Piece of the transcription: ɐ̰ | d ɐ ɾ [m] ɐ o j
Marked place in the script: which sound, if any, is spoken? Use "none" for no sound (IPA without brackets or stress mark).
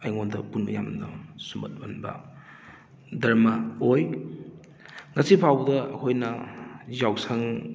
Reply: m